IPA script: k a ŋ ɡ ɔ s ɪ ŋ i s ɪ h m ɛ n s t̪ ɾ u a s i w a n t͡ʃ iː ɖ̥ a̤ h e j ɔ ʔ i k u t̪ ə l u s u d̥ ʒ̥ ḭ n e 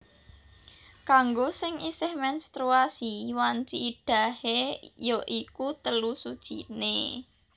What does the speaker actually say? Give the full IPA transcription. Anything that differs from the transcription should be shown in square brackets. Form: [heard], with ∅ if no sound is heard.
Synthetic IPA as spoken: k a ŋ ɡ [o] s ɪ ŋ i s ɪ h m ɛ n s t̪ ɾ u a s i w a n t͡ʃ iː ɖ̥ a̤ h e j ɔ ʔ i k u t̪ ə l u s u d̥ ʒ̥ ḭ n e